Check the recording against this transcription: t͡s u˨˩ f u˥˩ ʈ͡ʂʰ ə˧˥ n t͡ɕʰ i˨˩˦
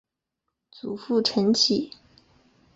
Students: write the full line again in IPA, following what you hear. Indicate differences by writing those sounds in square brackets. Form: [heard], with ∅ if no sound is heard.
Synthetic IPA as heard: t͡s u˨˩ f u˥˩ ʈ͡ʂʰ ə˧˥ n t͡ɕʰ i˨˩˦